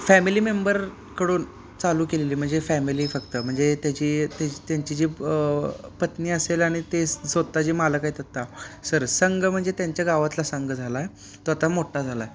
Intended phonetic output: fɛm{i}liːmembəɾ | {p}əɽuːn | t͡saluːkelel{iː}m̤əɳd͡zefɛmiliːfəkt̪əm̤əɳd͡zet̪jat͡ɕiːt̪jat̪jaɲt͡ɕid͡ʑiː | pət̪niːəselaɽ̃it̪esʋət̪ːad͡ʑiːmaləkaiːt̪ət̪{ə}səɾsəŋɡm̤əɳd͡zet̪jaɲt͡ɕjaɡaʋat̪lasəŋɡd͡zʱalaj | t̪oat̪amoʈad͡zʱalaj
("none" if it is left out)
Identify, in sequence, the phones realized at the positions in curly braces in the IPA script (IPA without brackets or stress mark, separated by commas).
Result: i, k, iː, a